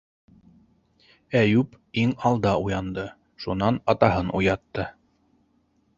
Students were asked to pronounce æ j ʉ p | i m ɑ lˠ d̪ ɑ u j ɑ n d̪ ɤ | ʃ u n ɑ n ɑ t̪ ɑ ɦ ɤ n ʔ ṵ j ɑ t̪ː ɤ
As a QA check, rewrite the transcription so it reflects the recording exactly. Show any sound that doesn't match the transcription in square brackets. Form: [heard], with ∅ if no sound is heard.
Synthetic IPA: æ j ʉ p | i [ŋ] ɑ lˠ d̪ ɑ u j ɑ n d̪ ɤ | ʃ u n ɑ n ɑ t̪ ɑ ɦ ɤ n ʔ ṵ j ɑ t̪ː ɤ